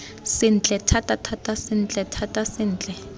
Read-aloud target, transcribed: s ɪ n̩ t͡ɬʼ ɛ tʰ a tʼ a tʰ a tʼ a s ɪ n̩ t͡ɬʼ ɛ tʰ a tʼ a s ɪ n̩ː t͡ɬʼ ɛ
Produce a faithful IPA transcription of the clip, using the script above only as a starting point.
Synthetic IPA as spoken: s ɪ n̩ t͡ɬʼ ɛ tʰ a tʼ a tʰ a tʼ a s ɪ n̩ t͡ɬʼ ɛ tʰ a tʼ a s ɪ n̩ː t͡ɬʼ ɛ